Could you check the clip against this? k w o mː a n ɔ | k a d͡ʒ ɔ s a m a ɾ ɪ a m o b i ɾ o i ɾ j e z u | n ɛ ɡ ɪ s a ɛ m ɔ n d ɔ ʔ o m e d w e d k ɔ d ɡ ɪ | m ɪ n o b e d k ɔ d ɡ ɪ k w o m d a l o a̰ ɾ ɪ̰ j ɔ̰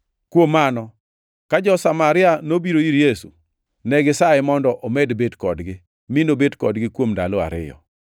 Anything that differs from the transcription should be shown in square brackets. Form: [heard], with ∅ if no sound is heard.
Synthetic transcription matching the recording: k w o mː a n ɔ | k a d͡ʒ ɔ s a m a ɾ ɪ a [n] o b i ɾ o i ɾ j e [s] u | n ɛ ɡ ɪ s a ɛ m ɔ n d ɔ ʔ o m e d [b] e d k ɔ d ɡ ɪ | m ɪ n o b e d k ɔ d ɡ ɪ k w o m d a l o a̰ ɾ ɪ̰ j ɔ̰